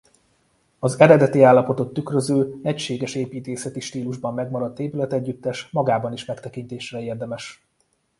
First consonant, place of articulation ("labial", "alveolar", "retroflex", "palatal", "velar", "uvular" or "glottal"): alveolar